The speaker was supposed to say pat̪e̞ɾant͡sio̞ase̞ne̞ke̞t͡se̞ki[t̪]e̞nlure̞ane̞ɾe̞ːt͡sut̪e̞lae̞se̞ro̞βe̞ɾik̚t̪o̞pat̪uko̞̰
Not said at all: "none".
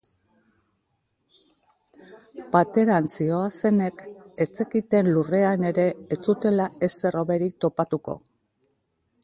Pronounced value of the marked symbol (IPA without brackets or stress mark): t̪